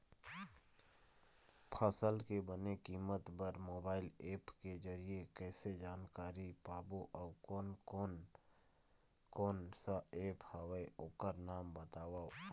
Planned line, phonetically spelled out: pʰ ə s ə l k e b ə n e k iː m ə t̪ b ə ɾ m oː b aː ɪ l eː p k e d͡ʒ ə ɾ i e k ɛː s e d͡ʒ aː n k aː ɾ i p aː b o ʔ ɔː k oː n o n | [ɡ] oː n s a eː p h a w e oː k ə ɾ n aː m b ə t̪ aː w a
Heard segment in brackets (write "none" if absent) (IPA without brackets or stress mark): k